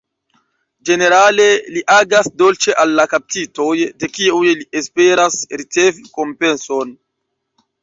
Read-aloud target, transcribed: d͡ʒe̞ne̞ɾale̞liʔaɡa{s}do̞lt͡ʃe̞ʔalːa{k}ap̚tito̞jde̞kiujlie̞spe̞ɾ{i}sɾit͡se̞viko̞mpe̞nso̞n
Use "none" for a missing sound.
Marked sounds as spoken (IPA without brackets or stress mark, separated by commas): s, k, a